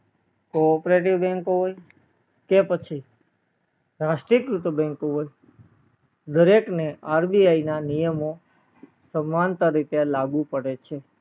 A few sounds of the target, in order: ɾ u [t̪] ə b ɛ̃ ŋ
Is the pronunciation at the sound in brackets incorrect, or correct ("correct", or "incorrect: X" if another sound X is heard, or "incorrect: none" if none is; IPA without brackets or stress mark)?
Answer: correct